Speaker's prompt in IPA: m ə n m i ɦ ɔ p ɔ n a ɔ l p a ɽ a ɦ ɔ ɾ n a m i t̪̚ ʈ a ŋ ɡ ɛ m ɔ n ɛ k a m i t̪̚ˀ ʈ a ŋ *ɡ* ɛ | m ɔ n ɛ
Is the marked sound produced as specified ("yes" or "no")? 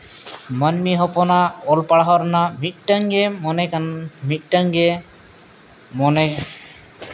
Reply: yes